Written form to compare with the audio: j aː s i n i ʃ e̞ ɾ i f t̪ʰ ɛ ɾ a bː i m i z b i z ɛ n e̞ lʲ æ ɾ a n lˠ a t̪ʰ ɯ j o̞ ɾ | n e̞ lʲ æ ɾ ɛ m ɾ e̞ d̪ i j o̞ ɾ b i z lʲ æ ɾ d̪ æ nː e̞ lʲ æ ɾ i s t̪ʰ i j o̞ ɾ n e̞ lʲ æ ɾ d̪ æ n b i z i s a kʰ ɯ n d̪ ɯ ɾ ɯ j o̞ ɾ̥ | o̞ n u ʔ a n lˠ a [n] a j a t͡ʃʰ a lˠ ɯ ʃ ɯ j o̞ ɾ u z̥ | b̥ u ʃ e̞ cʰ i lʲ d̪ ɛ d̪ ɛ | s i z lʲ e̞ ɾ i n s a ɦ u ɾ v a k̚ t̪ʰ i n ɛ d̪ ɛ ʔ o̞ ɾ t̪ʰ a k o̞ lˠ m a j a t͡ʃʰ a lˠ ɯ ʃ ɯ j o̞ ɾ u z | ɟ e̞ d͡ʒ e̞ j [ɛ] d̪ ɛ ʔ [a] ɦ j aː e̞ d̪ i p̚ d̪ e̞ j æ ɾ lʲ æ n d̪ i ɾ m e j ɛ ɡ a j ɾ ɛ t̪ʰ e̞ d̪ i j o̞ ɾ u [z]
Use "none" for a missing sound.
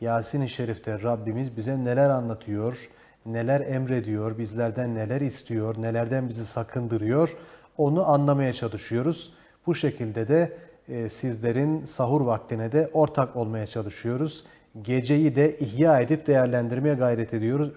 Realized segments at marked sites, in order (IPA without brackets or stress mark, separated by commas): m, i, i, z